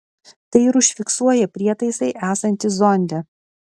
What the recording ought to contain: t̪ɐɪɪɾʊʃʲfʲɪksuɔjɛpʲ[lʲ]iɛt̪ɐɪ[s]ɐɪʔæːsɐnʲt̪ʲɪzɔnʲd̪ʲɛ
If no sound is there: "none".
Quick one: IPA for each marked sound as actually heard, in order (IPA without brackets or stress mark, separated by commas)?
ɾʲ, s